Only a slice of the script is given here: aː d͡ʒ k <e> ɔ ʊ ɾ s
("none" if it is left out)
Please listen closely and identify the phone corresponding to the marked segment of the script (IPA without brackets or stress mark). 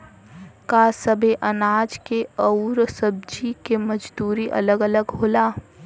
e